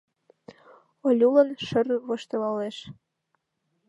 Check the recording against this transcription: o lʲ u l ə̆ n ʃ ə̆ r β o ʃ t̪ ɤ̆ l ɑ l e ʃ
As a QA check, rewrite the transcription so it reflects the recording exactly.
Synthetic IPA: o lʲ u l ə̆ n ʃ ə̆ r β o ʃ t̪ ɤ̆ l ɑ l e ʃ